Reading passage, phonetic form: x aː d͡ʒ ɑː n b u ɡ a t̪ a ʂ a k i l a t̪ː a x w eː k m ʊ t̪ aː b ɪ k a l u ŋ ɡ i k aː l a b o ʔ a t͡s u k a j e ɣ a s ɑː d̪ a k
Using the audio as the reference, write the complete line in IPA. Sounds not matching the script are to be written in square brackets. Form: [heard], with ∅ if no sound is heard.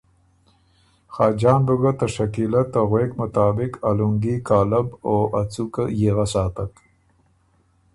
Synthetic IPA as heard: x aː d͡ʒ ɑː n b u ɡ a t̪ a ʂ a k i l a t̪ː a [ɣ] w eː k m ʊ t̪ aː b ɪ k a l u ŋ ɡ i k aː l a b o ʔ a t͡s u k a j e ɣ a s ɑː [t̪] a k